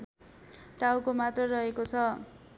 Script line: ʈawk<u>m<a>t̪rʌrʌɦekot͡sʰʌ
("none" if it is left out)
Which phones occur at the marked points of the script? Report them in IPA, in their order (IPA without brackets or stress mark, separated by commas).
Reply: o, a